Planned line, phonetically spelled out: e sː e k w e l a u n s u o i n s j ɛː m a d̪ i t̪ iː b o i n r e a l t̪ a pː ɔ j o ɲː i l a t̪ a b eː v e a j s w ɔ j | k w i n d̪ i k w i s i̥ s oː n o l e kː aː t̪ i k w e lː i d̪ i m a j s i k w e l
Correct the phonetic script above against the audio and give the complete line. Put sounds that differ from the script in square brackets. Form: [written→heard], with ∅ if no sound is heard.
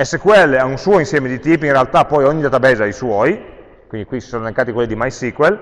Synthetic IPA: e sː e k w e l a u n s u o i n s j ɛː m [a→e] d̪ i t̪ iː [b→p] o i n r e a l t̪ a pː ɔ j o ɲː i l a t̪ a b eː [v→z] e a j s w ɔ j | k w i n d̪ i k w i s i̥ s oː n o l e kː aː t̪ i k w e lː i d̪ i m a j s i k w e l